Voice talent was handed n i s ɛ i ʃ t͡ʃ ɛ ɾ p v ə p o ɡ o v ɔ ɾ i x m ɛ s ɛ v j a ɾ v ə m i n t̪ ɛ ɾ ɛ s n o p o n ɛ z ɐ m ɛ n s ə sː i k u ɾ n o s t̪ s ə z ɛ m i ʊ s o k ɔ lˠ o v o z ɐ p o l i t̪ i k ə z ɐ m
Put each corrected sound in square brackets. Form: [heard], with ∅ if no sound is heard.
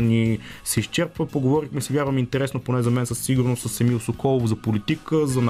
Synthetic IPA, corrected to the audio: n i s ɛ i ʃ t͡ʃ ɛ ɾ p v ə p o ɡ o v ɔ ɾ i x m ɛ s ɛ v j a ɾ v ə m i n t̪ ɛ ɾ ɛ s n o p o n ɛ z ɐ m ɛ n s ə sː i [ɡ] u ɾ n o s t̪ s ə [s] ɛ m i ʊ s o k ɔ lˠ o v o z ɐ p o l i t̪ i k ə z ɐ [n]